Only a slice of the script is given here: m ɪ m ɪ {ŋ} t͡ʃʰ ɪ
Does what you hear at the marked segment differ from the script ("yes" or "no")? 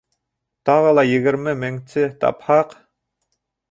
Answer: no